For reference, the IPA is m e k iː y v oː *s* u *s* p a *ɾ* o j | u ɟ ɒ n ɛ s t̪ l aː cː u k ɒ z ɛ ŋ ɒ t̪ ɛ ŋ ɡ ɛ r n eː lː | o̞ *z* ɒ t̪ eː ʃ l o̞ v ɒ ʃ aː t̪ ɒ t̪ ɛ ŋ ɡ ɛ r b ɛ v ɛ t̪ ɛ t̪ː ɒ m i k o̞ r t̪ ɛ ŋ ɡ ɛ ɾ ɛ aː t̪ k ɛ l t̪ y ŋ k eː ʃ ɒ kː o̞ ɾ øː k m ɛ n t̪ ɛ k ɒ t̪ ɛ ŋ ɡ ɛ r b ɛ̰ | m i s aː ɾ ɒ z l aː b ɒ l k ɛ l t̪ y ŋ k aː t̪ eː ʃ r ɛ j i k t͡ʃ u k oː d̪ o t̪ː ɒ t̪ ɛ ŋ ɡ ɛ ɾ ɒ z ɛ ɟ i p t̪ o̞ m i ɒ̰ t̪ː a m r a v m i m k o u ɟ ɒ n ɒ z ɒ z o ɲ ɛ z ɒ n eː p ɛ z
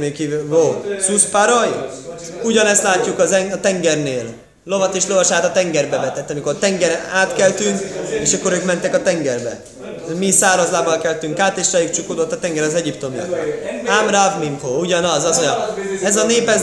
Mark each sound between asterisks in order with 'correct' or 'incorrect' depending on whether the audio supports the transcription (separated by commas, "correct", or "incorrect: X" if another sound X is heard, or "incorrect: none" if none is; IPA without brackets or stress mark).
correct, correct, correct, incorrect: v